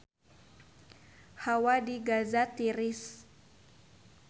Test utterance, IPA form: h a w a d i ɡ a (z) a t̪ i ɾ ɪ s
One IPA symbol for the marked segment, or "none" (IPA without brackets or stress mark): z